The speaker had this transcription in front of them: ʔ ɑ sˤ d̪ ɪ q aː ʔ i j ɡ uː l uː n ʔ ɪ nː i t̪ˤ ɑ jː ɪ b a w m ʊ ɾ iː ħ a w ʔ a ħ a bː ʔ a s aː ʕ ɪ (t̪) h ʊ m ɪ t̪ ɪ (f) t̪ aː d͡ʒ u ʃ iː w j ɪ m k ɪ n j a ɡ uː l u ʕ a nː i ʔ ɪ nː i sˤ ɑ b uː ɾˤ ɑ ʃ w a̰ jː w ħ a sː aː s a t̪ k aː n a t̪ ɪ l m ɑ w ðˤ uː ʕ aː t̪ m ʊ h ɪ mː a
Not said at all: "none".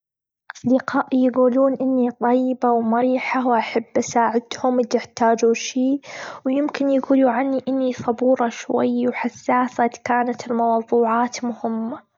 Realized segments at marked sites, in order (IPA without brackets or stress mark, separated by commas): d̪, ħ